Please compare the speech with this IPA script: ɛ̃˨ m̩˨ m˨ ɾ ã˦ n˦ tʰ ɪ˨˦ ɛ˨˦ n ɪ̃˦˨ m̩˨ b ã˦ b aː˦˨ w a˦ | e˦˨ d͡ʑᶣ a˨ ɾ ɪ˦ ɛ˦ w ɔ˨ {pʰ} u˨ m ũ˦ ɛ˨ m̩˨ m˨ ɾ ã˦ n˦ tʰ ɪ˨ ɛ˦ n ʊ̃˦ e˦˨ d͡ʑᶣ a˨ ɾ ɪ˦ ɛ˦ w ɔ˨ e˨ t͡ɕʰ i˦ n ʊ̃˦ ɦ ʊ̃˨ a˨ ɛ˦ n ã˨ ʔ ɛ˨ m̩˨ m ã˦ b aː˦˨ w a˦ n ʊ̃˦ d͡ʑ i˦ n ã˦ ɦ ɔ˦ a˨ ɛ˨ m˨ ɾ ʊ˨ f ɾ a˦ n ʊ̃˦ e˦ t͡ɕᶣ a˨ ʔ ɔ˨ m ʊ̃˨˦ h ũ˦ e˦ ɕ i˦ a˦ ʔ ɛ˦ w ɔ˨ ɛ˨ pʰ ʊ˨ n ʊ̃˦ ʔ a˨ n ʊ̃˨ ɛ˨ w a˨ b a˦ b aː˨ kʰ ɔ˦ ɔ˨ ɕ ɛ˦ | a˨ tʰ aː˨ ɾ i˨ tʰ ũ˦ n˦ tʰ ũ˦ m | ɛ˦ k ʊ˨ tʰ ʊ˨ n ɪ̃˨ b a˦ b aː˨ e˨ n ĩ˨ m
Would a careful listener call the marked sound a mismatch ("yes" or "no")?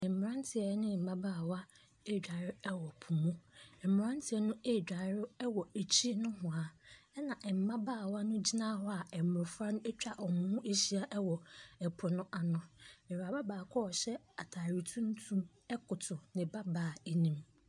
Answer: no